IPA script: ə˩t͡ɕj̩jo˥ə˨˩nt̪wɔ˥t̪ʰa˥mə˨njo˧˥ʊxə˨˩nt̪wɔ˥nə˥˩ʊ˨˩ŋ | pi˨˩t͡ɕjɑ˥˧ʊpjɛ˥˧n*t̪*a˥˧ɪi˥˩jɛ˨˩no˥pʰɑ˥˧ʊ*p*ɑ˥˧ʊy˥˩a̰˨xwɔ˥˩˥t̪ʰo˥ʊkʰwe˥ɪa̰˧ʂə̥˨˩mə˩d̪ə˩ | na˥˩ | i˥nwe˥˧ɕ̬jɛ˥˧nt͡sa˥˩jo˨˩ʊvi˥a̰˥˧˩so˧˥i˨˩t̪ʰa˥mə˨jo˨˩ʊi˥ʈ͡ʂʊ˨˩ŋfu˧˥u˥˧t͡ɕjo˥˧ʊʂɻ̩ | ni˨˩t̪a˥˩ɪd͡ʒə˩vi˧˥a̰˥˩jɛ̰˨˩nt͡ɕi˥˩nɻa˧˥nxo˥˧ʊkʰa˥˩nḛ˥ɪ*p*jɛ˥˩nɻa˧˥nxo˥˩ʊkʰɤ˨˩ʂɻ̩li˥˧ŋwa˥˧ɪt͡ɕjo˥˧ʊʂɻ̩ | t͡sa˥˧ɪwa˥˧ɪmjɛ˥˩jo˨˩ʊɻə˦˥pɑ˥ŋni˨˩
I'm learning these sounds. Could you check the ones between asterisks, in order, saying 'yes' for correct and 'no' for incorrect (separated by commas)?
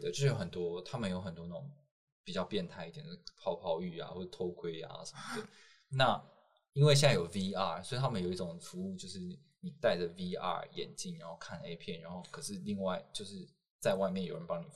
no, no, no